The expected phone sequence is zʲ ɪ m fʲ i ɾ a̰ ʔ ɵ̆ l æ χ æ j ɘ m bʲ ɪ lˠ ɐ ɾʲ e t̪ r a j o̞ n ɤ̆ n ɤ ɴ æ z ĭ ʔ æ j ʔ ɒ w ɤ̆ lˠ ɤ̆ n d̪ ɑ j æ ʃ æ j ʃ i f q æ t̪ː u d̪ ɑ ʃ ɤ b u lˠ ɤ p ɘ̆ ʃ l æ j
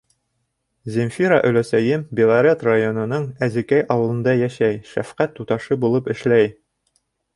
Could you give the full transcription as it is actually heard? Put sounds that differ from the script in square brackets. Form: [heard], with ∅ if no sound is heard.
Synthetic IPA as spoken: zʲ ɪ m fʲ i ɾ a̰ ʔ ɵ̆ l æ [s] æ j ɘ m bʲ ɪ lˠ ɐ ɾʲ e t̪ r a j o̞ n ɤ̆ n ɤ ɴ æ z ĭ [k] æ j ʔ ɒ w ɤ̆ lˠ ɤ̆ n d̪ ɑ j æ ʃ æ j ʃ [æ] f q æ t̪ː u [t̪] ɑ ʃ ɤ b u lˠ ɤ p ɘ̆ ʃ l æ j